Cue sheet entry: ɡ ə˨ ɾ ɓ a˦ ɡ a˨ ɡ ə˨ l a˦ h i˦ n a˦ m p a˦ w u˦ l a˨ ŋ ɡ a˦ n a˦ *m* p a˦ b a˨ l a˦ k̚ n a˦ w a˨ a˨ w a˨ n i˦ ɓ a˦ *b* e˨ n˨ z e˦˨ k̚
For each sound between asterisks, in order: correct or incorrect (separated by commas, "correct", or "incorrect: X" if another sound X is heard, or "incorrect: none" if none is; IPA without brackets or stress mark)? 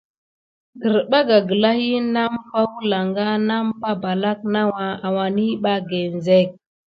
correct, incorrect: ɡ